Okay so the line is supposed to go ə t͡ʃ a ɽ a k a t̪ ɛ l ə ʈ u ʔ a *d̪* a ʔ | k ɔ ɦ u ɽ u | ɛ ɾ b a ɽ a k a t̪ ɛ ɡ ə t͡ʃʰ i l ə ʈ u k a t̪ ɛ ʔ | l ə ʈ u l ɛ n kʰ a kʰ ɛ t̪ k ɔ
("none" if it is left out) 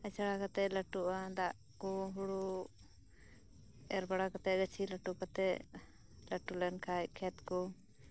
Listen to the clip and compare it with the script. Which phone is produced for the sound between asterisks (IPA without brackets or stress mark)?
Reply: d̪